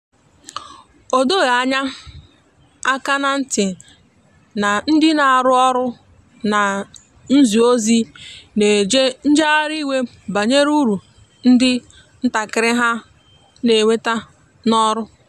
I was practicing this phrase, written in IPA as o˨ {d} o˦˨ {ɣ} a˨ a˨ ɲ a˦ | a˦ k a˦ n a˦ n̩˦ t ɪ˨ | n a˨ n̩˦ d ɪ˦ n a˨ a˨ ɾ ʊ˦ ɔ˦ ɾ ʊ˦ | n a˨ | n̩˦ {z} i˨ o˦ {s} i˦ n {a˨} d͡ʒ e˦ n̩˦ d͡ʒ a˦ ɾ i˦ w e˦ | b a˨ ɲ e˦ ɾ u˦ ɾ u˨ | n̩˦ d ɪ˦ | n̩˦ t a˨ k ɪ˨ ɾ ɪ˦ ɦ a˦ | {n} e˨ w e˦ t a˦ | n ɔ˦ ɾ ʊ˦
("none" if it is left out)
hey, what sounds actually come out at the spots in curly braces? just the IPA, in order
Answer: d, ɣ, z, z, e˨, n

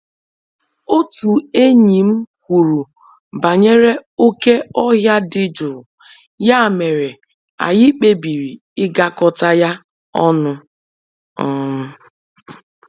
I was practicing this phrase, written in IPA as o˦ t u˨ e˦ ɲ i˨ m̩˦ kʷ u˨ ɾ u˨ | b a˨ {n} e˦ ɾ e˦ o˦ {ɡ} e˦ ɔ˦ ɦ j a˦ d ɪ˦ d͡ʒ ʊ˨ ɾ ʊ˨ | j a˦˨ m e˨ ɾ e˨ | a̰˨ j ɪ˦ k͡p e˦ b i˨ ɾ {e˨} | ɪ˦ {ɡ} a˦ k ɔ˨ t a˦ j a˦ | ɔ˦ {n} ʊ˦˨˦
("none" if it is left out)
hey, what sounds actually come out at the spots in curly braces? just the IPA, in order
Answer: ɲ, k, i˨, ɡ, n

